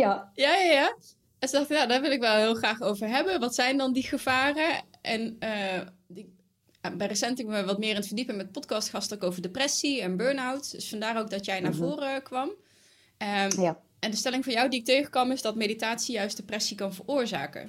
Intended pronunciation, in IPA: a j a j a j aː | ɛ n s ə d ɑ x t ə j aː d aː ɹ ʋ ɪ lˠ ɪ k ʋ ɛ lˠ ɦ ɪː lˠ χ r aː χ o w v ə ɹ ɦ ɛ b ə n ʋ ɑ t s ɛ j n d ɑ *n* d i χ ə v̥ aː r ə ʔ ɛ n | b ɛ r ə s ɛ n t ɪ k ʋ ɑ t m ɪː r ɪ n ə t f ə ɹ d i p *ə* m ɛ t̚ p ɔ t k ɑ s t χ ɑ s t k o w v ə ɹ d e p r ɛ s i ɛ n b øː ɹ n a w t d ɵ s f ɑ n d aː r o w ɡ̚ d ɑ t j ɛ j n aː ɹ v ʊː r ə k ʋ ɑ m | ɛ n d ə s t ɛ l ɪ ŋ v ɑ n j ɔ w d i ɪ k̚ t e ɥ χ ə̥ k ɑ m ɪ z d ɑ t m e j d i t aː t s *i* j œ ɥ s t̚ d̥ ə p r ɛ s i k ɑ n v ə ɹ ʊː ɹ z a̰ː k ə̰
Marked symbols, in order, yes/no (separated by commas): yes, yes, yes